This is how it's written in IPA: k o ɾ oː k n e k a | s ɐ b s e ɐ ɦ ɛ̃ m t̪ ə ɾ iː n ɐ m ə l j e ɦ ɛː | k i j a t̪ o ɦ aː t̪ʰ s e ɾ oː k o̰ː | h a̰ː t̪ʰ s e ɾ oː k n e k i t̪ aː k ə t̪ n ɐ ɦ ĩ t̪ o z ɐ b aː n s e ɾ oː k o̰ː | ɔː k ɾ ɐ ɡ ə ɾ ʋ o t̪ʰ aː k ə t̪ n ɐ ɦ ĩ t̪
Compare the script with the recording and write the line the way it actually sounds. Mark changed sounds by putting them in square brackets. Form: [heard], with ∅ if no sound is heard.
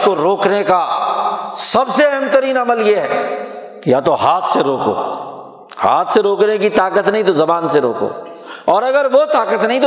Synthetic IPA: k o ɾ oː k n e k a | s ɐ b s e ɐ ɦ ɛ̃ m t̪ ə ɾ iː n ɐ m ə l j e ɦ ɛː | k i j a t̪ o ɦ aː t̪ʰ s e ɾ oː k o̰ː | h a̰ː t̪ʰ s e ɾ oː k n e k i t̪ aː k ə t̪ n ɐ ɦ ĩ t̪ o z ɐ b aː n s e ɾ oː k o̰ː | ɔː [∅] ɾ ɐ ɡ ə ɾ ʋ o [t̪] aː k ə t̪ n ɐ ɦ ĩ t̪